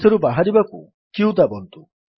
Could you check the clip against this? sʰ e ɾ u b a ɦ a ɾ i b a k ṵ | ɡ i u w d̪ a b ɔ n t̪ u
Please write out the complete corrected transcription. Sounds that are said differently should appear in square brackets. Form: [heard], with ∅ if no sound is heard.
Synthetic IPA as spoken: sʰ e ɾ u b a ɦ a ɾ i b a k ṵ | [k] i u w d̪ a b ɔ n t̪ u